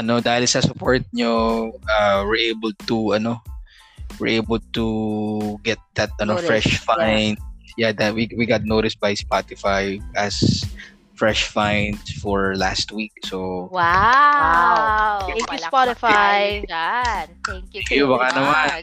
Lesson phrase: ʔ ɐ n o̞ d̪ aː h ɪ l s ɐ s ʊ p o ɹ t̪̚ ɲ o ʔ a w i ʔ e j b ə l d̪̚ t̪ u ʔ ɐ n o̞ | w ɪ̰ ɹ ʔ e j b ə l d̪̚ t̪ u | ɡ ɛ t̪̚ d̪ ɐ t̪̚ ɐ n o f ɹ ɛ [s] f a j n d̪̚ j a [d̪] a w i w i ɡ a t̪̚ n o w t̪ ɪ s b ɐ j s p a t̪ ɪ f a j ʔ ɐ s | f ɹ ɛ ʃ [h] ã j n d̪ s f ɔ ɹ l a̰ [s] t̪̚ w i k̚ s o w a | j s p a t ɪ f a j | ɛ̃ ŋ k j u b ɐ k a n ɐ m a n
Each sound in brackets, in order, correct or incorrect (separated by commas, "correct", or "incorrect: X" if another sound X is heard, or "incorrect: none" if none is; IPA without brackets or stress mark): incorrect: ʃ, correct, incorrect: f, correct